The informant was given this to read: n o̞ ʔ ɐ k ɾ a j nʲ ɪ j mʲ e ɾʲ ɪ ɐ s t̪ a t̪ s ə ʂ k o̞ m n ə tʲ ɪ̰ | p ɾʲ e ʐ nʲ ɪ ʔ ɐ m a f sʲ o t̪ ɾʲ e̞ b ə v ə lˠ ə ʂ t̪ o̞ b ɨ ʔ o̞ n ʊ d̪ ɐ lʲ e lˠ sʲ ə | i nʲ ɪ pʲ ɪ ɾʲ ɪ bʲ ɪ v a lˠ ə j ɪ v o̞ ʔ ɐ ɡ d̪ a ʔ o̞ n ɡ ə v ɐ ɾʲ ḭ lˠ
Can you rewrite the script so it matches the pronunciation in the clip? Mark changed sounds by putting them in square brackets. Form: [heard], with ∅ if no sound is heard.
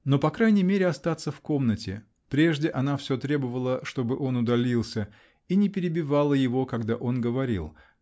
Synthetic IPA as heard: n o̞ [p] ɐ k ɾ a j nʲ ɪ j mʲ e ɾʲ ɪ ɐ s t̪ a t̪ s ə [f] k o̞ m n ə tʲ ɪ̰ | p ɾʲ e ʐ [dʲ] ɪ ʔ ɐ [n] a f sʲ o t̪ ɾʲ e̞ b ə v ə lˠ ə ʂ t̪ o̞ b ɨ ʔ o̞ n ʊ d̪ ɐ lʲ [i] lˠ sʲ ə | i nʲ ɪ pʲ ɪ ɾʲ ɪ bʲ ɪ v a lˠ ə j ɪ v o̞ [k] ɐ ɡ d̪ a ʔ o̞ n ɡ ə v ɐ ɾʲ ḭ lˠ

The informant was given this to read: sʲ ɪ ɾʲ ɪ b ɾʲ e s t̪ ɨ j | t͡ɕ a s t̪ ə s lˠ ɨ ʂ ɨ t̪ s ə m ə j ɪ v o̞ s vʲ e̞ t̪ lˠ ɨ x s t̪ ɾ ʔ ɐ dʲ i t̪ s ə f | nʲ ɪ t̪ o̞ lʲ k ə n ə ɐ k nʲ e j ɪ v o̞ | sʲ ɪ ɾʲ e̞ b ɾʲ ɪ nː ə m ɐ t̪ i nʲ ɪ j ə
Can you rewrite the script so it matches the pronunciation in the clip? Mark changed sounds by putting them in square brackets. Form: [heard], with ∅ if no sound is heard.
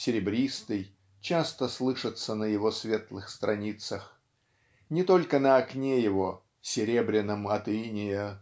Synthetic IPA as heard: sʲ ɪ ɾʲ ɪ b ɾʲ [i] s t̪ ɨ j | t͡ɕ a s t̪ ə s lˠ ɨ ʂ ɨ t̪ s ə [n] ə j ɪ v o̞ s vʲ e̞ t̪ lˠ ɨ x s t̪ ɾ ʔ ɐ [nʲ] i t̪ s ə [x] | nʲ ɪ t̪ o̞ lʲ k ə n ə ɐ k nʲ e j ɪ v o̞ | sʲ ɪ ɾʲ e̞ b ɾʲ ɪ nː ə m ɐ t̪ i nʲ ɪ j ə

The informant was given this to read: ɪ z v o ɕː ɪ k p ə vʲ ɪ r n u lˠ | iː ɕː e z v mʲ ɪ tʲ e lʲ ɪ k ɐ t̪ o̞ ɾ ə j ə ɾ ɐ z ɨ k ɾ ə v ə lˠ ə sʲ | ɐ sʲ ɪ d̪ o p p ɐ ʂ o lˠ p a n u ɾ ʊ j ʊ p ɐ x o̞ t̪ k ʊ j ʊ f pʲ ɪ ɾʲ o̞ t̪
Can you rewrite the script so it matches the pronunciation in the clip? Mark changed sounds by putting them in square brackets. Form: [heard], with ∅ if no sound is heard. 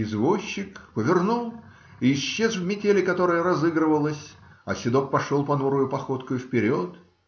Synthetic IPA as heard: ɪ z v o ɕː ɪ k p ə vʲ ɪ r n u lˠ | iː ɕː e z v mʲ ɪ tʲ e lʲ ɪ k ɐ t̪ o̞ ɾ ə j ə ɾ ɐ z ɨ [ɡ] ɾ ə v ə lˠ ə sʲ | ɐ sʲ ɪ d̪ o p p ɐ ʂ o lˠ p [ɐ] n u ɾ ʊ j ʊ p ɐ x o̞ t̪ k ʊ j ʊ f pʲ ɪ ɾʲ o̞ t̪

